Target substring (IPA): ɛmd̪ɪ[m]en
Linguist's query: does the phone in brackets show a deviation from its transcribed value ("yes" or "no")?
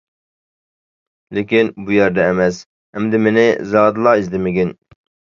no